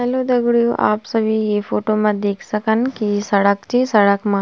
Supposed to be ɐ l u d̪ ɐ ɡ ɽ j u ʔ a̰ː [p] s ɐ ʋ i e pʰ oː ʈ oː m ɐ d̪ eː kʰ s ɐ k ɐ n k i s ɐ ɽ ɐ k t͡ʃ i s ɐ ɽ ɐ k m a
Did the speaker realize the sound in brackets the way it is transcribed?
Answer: yes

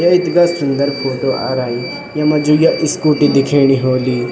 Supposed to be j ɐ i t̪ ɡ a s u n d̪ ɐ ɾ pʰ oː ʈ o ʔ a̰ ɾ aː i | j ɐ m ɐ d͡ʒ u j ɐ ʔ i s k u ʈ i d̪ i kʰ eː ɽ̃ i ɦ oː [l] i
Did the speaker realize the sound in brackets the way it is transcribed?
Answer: yes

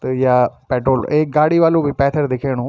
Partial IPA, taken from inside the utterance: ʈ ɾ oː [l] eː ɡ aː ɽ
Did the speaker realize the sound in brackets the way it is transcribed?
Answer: yes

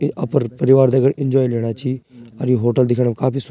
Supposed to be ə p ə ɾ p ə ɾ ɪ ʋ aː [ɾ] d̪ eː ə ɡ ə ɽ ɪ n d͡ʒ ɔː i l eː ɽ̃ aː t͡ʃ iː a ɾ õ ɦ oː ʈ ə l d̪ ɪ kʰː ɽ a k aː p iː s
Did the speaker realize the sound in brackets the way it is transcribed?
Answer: yes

